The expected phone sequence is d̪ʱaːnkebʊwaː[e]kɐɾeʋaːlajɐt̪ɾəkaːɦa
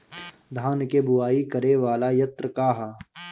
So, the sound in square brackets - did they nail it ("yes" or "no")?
no